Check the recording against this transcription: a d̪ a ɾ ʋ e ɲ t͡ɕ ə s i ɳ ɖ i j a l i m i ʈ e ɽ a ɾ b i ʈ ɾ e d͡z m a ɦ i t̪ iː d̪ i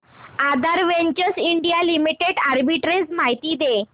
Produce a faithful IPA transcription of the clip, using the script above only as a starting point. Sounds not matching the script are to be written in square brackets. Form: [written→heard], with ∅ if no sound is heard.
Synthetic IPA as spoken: a d̪ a ɾ ʋ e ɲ t͡ɕ ə s i ɳ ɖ i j a l i m i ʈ e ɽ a ɾ b i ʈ ɾ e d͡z m a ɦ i t̪ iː d̪ [i→e]

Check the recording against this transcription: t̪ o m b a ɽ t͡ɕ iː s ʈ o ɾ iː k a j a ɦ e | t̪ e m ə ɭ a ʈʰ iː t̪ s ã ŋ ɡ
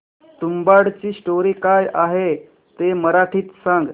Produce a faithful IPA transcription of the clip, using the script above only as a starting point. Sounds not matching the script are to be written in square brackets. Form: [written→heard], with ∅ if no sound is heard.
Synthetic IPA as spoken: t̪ [o→u] m b a ɽ t͡ɕ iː s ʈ o ɾ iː k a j a ɦ e | t̪ e m ə [ɭ→ɾ] a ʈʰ iː t̪ s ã ŋ ɡ

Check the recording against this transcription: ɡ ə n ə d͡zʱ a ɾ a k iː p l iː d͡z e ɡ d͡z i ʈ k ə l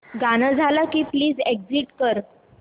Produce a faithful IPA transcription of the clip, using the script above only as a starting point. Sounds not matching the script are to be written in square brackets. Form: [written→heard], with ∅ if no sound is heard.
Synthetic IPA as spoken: ɡ [ə→a] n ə d͡zʱ a [ɾ→l] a k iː p l iː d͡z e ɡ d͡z i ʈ k ə [l→ɾ]

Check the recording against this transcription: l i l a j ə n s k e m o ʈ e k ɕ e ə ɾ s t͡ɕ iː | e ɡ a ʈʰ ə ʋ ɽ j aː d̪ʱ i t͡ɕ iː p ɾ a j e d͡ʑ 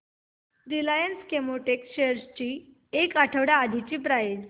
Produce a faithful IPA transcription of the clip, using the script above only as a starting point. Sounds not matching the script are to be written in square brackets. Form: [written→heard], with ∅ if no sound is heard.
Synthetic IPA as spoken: [l→ɾ] i l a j ə n s k e m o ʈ e k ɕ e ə ɾ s t͡ɕ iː | e [ɡ→k] a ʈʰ ə ʋ ɽ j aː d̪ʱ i t͡ɕ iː p ɾ a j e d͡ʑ

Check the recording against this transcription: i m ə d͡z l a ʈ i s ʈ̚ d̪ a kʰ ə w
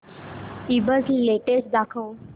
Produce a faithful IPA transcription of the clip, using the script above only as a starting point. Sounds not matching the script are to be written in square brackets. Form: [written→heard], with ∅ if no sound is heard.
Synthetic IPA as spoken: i [m→b] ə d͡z l [a→e] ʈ [i→e] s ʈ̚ d̪ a kʰ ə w

